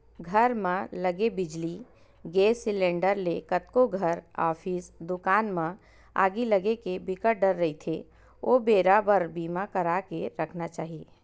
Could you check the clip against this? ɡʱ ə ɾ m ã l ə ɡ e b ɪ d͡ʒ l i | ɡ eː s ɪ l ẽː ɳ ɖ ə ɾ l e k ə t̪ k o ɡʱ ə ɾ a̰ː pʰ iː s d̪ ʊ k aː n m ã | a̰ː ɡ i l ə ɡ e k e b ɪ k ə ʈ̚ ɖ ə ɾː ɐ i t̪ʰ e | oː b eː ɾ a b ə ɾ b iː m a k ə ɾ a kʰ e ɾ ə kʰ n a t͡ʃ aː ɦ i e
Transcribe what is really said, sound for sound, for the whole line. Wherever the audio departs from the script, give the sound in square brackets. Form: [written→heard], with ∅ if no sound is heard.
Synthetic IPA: ɡʱ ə ɾ m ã l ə ɡ e b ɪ d͡ʒ l i | ɡ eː s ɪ l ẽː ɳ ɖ ə ɾ l e k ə t̪ k o ɡʱ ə ɾ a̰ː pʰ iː s d̪ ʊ k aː n m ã | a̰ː ɡ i l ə ɡ e k e b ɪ k ə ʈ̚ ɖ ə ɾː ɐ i t̪ʰ e | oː b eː ɾ a b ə ɾ b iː m a k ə ɾ a [kʰ→k] e ɾ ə kʰ n a t͡ʃ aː ɦ i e